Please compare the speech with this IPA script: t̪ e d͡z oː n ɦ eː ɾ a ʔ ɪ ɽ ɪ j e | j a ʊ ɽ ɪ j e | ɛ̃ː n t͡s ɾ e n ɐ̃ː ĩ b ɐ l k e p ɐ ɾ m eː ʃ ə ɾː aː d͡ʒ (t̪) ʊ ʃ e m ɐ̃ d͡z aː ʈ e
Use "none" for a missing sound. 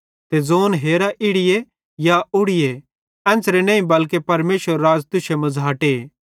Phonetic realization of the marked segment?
t̪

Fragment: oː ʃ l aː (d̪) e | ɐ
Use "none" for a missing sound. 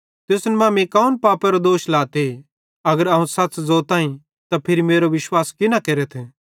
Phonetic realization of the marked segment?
t̪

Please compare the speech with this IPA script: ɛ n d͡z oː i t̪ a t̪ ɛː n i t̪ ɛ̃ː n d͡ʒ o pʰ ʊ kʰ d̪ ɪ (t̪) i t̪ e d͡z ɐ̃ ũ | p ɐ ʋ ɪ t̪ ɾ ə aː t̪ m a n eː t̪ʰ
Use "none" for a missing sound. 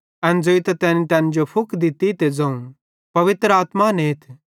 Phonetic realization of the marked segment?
t̪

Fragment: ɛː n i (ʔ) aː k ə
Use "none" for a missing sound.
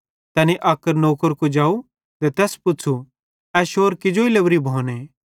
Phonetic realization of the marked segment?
ʔ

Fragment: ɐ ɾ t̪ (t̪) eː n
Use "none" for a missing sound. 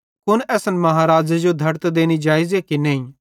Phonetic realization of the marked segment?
d̪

